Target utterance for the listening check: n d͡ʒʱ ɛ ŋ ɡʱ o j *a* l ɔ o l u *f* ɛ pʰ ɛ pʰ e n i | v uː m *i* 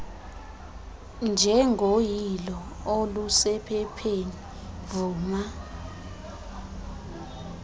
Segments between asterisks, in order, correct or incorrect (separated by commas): incorrect, incorrect, incorrect